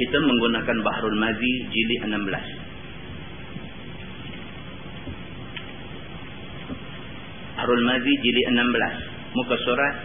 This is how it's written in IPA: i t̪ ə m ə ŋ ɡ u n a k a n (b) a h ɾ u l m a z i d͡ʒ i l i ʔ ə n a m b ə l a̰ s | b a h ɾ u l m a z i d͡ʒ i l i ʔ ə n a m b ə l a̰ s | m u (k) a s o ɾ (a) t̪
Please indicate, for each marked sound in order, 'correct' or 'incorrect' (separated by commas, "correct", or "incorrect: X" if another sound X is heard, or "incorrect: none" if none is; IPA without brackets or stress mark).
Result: correct, correct, correct